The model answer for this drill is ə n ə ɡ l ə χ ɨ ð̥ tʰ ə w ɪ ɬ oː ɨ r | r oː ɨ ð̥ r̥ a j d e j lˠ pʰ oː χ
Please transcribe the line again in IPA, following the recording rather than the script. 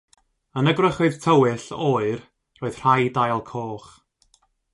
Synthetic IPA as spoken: ə n ə ɡ r ə χ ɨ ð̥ tʰ ə w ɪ ɬ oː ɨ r | r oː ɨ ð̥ r̥ a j d a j lˠ kʰ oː χ